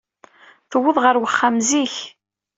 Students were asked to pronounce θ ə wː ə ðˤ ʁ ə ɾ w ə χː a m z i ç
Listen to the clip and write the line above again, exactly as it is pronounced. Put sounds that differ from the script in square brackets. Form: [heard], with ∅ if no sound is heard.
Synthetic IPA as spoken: θ ə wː ə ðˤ ʁ ə ɾ w ə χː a m z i ç